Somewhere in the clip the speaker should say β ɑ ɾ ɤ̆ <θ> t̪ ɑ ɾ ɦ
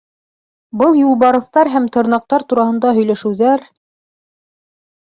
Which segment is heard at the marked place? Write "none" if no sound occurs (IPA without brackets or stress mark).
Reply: θ